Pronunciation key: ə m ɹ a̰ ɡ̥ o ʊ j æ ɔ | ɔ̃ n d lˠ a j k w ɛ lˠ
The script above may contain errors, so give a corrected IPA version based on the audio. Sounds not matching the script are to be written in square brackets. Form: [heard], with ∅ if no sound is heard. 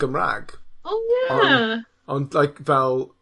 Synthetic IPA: ə m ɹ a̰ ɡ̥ o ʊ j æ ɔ | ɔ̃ n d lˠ a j k [v] ɛ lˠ